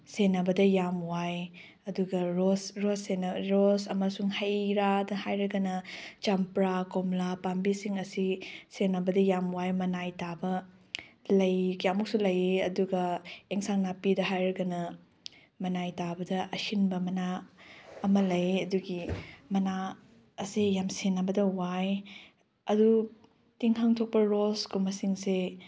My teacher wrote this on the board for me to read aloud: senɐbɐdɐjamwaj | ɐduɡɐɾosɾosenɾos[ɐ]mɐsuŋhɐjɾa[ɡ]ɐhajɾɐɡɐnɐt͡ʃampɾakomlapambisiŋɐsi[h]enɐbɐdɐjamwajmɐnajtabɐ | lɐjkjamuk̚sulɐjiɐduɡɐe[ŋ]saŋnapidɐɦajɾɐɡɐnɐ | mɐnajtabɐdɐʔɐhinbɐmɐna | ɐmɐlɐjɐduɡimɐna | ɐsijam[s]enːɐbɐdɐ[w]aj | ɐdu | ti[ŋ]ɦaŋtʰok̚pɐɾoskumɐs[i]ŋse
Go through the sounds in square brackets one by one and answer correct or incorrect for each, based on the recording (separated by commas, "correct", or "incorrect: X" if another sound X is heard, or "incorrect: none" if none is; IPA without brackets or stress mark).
correct, incorrect: d, incorrect: s, correct, correct, correct, correct, correct